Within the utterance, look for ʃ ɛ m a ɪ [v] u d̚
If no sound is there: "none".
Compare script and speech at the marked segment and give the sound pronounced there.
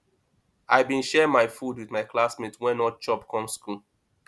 f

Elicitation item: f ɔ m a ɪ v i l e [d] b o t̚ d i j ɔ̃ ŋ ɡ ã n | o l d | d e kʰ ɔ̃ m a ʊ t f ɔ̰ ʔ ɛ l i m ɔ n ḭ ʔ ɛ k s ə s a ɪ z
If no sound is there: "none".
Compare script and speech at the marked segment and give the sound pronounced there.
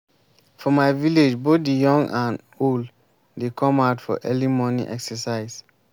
d͡ʒ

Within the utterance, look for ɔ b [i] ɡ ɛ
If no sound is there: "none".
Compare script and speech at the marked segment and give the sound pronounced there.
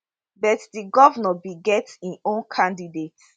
i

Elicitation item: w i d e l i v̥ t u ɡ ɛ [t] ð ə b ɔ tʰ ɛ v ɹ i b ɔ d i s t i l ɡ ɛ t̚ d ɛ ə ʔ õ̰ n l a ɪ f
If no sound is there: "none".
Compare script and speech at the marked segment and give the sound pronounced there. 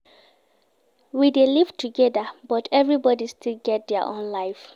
none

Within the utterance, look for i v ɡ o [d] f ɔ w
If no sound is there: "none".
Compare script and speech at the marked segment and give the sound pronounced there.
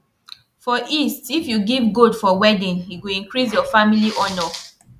d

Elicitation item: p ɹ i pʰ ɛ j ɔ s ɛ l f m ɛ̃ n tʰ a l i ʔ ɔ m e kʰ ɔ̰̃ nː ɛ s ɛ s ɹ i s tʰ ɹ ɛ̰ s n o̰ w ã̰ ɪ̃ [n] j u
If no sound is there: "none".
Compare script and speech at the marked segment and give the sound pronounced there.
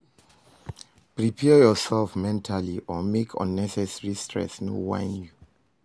n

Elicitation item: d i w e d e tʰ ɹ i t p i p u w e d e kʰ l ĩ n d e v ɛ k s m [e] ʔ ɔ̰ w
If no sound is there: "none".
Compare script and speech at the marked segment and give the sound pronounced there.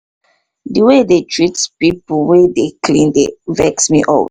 i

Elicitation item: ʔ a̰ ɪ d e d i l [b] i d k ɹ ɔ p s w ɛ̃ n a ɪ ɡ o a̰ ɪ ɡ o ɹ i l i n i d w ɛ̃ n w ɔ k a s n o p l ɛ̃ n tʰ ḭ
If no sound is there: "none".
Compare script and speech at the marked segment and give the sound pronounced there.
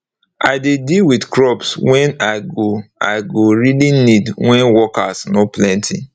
w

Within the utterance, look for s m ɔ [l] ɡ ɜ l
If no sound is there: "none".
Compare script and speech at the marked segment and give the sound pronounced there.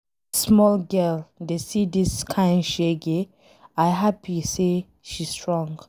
l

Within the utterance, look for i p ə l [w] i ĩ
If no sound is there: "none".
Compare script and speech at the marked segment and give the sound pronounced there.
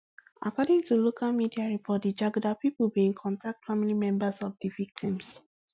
b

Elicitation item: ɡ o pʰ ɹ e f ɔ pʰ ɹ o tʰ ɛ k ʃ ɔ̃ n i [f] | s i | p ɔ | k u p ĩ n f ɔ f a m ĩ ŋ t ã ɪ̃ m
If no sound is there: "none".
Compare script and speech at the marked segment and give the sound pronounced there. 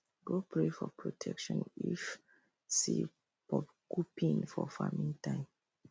f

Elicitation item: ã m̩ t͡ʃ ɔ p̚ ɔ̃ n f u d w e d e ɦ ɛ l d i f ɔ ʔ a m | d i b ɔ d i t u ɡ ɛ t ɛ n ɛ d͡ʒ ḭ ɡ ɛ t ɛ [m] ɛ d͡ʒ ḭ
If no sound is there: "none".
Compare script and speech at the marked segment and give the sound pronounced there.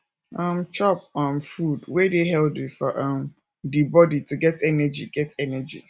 n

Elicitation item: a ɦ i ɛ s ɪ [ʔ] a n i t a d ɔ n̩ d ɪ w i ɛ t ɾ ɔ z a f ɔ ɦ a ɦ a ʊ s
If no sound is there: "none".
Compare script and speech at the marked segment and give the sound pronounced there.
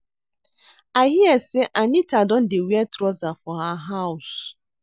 ʔ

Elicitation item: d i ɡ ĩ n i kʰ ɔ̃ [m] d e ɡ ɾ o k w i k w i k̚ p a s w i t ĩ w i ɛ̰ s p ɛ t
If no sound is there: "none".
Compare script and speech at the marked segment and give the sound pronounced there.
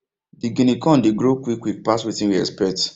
n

